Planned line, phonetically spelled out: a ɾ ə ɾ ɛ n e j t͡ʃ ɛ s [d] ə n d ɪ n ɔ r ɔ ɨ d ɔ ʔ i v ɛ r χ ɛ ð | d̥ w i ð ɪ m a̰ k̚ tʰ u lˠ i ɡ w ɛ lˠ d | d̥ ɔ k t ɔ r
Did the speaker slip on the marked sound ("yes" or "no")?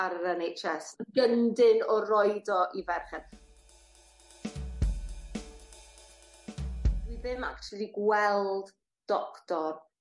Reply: yes